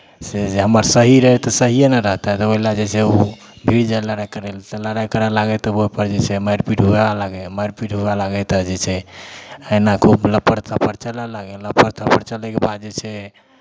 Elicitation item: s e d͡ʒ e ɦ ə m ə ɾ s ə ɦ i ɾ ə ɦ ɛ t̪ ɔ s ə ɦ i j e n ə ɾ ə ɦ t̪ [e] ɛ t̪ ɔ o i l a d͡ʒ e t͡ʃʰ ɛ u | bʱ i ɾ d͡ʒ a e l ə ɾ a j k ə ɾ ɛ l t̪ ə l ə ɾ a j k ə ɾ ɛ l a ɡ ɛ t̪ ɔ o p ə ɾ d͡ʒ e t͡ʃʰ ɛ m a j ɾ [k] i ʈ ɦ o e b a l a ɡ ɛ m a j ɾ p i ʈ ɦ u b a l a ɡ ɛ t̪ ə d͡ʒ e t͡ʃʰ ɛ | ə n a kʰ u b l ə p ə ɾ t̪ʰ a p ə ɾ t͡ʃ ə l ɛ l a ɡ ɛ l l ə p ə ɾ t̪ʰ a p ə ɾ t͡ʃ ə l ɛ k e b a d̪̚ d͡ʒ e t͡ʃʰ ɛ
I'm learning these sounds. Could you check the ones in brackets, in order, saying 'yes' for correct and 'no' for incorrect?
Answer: no, no

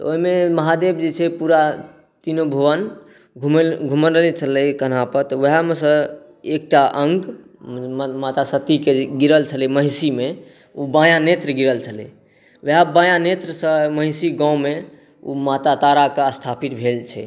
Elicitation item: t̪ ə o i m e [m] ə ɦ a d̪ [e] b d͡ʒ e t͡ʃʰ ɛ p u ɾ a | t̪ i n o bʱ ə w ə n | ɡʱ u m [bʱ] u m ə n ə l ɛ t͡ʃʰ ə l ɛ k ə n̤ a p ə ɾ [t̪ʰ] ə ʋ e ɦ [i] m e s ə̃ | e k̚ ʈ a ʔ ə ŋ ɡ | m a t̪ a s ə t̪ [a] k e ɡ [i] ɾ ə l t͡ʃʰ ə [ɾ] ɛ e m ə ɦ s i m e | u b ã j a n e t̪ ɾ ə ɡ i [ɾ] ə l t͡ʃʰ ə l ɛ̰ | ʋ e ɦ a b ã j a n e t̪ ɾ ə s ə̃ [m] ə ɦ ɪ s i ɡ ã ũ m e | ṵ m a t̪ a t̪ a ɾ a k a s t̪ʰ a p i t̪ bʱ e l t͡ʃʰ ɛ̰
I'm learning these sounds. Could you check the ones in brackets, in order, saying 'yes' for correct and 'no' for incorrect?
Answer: yes, yes, no, no, no, no, yes, no, yes, yes

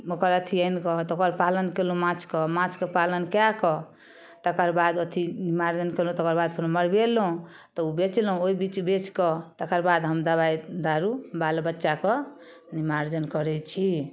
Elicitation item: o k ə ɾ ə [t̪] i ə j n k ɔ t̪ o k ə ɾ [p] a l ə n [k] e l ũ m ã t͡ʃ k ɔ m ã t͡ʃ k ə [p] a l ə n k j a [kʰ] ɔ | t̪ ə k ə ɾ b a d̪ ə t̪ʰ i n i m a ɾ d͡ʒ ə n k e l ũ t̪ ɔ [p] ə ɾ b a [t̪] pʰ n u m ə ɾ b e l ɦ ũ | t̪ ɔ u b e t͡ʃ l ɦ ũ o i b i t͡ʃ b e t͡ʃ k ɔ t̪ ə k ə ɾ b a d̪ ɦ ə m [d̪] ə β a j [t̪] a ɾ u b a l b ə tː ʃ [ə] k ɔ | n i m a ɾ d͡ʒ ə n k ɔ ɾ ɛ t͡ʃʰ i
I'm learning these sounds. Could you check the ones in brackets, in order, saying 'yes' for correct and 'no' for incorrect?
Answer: no, yes, yes, yes, no, no, no, yes, no, no

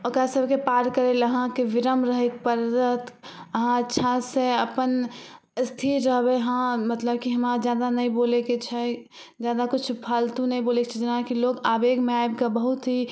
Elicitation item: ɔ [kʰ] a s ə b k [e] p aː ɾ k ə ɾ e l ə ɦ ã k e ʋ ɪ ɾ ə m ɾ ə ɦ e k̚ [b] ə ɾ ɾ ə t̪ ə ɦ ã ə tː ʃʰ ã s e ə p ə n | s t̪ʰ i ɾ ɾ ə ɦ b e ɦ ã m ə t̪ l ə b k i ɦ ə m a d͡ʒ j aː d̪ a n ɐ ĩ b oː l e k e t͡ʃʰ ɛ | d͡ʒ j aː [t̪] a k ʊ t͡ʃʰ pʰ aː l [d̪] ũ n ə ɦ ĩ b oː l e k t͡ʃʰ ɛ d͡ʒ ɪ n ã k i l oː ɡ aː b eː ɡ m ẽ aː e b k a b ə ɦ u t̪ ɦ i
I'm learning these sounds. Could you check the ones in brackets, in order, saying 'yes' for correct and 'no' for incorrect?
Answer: no, yes, no, no, no

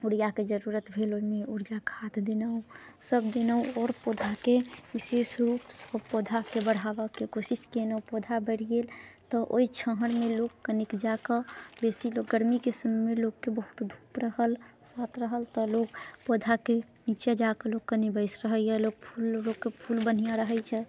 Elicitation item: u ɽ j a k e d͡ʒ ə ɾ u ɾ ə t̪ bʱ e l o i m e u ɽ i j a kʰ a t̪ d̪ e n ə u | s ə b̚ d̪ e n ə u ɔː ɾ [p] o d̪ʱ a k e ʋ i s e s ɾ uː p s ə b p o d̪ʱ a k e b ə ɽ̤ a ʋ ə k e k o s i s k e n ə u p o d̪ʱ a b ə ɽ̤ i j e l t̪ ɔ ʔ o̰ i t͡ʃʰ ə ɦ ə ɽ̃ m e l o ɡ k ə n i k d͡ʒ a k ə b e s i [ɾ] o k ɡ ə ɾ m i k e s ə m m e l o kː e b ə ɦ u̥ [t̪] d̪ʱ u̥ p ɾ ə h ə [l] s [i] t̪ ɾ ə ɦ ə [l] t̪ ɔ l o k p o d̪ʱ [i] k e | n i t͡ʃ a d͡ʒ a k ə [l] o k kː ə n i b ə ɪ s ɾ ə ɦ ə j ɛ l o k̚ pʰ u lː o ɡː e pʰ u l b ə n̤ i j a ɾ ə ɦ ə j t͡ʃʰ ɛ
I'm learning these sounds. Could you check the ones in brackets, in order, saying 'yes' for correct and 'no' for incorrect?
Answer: yes, no, yes, yes, no, yes, no, yes

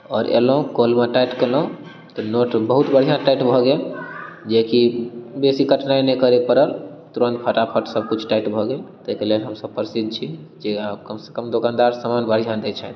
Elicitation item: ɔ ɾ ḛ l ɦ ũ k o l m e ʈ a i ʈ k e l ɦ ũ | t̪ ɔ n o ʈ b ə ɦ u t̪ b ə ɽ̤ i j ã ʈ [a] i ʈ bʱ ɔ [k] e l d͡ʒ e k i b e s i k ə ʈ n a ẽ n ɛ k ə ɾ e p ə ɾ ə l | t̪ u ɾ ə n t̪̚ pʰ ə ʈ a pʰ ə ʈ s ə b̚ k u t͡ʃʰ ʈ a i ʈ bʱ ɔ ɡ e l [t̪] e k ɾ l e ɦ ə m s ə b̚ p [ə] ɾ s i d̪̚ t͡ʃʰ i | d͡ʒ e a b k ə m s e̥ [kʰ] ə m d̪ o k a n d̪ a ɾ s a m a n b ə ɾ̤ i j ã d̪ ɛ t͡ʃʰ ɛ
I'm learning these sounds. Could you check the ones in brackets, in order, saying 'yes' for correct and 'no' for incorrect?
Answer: yes, no, yes, yes, no

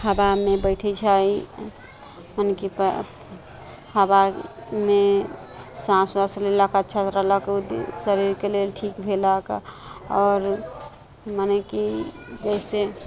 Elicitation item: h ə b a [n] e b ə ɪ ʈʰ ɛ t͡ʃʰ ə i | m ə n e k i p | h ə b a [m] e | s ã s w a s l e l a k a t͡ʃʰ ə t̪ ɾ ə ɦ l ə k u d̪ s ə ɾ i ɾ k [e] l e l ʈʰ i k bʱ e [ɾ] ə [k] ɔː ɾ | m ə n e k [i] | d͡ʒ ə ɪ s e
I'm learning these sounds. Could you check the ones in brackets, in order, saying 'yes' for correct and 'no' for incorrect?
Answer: no, yes, yes, no, yes, yes

